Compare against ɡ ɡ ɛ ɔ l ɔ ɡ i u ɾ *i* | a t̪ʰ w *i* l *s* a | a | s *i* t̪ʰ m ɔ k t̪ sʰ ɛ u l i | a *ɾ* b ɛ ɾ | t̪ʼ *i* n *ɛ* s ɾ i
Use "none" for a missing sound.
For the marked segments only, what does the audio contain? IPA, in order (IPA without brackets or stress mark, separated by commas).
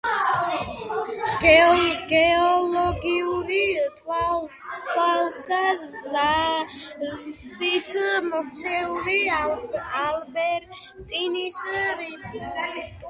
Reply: i, a, s, i, l, i, i